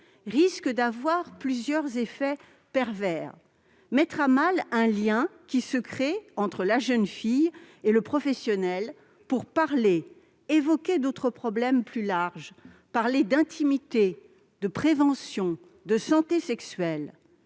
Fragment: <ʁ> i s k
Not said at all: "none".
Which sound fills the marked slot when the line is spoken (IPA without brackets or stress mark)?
ʁ